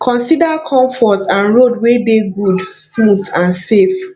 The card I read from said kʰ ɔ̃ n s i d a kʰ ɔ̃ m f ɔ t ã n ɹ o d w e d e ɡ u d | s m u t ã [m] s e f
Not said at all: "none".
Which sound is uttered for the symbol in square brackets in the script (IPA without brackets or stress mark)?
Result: n